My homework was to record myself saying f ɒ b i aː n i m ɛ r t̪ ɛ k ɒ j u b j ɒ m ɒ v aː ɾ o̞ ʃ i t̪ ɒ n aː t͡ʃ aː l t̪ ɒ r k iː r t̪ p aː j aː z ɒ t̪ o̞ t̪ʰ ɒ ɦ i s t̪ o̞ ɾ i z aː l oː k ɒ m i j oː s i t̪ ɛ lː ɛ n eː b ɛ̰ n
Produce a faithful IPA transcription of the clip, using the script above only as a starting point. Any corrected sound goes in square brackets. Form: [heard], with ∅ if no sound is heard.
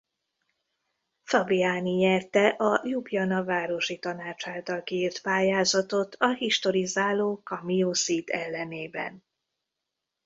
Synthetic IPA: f ɒ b i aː n i [ɲ] ɛ r t̪ ɛ [ʔ] ɒ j u b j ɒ [n] ɒ v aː ɾ o̞ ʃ i t̪ ɒ n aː t͡ʃ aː l t̪ ɒ [l] k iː r t̪ p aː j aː z ɒ t̪ o̞ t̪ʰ ɒ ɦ i [ʃ] t̪ o̞ ɾ i z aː l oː k ɒ m i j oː s i t̪ ɛ lː ɛ n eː b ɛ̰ n